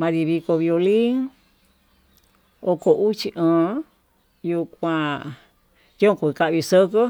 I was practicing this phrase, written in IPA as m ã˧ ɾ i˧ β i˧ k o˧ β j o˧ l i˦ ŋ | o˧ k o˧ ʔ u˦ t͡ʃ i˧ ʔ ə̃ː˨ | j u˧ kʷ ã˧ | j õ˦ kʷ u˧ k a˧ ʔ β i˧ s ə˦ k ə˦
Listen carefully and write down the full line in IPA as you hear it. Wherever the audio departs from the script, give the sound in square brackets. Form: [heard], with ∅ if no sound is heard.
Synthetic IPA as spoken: m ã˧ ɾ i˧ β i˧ k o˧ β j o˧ l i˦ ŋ | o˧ k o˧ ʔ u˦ t͡ʃ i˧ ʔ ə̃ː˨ | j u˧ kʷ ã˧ | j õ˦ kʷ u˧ k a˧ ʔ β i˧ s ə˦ k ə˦

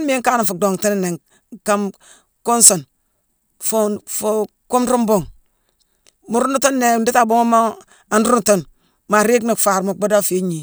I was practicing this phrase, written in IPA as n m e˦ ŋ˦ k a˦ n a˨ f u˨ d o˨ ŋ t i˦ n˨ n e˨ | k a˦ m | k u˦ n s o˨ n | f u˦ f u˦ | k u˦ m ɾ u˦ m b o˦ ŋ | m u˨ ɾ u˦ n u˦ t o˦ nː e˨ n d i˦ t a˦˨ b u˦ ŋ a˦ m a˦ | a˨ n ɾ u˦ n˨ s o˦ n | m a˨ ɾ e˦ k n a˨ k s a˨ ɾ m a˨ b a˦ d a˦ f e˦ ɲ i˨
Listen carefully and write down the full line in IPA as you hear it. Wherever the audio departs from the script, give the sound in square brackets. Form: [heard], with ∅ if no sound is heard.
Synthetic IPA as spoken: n m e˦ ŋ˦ k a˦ n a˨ f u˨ d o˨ ŋ t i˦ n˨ n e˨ | k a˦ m | k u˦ n s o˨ n | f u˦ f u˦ | k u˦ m ɾ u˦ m b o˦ ŋ | m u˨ ɾ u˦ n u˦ t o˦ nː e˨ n d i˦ t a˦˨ b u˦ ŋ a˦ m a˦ | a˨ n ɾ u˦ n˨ [t] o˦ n | m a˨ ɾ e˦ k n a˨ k [f] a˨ ɾ m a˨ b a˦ d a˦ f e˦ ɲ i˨

